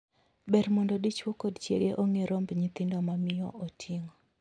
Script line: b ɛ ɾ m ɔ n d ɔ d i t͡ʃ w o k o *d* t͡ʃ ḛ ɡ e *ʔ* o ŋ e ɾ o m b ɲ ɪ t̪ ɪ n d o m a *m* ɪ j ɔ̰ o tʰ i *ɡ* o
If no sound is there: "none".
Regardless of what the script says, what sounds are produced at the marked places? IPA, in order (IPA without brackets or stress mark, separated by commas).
d, ʔ, m, ŋ